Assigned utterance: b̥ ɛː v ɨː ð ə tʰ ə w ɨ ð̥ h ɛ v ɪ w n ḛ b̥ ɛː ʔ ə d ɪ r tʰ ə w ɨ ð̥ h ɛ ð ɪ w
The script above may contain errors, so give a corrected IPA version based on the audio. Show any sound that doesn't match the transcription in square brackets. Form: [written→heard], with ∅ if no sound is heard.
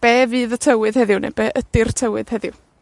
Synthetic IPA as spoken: b̥ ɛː v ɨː ð ə tʰ ə w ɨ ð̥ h ɛ [v→ð] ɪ w n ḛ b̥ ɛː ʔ ə d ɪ r tʰ ə w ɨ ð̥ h ɛ ð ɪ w